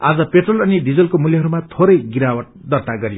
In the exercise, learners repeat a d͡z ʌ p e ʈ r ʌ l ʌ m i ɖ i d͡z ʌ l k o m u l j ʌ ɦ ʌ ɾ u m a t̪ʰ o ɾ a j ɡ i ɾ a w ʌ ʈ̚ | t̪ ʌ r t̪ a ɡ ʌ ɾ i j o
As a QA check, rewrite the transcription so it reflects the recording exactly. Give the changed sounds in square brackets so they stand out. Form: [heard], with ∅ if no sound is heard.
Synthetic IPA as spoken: a d͡z ʌ p e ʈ r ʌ l ʌ [n] i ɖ i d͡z ʌ l k o m u l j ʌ ɦ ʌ ɾ u m a t̪ʰ o ɾ [ʌ] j ɡ i ɾ a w ʌ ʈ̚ | [d̪] ʌ r t̪ a ɡ ʌ ɾ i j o